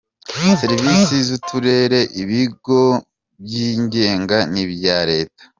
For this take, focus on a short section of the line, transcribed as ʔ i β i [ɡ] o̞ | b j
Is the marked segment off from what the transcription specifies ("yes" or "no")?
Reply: no